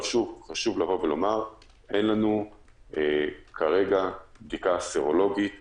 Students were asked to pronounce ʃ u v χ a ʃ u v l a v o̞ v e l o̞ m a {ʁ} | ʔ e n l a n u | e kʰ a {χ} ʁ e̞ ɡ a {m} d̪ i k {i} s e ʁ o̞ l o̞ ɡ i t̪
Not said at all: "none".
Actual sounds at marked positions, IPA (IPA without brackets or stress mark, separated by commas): ʁ, none, b, a